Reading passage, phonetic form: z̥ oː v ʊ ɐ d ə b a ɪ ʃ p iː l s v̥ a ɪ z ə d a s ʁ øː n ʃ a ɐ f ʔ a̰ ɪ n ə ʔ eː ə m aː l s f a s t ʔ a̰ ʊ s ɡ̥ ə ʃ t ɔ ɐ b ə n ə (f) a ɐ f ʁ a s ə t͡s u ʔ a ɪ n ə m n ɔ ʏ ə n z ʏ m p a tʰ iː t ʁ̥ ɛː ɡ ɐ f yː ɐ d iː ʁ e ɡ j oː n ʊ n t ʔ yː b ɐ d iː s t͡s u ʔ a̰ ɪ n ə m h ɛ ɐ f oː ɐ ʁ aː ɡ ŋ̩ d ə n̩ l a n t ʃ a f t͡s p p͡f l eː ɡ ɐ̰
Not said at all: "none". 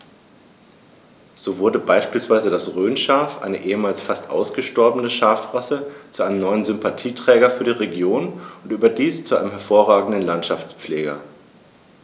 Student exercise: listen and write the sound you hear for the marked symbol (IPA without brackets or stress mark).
ʃ